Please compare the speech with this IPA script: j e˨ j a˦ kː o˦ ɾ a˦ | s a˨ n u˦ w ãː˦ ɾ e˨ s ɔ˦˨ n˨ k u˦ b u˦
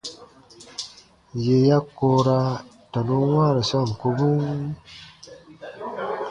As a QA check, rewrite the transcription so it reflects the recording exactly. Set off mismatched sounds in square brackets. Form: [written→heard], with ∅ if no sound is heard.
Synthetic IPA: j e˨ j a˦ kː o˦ ɾ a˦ | [s→t] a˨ n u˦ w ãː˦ ɾ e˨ s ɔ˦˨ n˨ k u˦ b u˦

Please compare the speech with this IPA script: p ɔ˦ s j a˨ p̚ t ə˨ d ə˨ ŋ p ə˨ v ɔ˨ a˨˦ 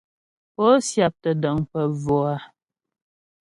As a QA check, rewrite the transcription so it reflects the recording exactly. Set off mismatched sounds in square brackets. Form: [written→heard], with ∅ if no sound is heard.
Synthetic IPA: p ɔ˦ s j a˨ p̚ t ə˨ d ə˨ ŋ p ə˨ v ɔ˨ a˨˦

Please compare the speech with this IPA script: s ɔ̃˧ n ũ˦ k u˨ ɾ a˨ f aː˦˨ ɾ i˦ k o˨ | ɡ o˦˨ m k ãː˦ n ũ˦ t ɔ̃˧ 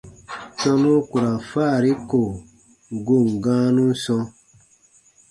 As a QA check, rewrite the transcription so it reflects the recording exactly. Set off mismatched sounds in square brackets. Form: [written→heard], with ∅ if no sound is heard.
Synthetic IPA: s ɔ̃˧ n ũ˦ k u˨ ɾ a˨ f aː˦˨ ɾ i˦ k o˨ | ɡ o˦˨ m [k→ɡ] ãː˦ n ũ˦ [t→s] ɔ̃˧

